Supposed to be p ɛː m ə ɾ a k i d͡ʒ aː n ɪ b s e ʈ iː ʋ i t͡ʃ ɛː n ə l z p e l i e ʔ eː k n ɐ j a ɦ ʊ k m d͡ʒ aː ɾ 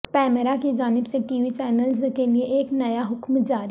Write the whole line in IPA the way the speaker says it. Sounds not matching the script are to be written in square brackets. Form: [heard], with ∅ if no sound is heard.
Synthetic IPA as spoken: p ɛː m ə ɾ a k i d͡ʒ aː n ɪ b s e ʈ iː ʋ i t͡ʃ ɛː n ə l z [k] e l i e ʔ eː k n ɐ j a ɦ ʊ k m d͡ʒ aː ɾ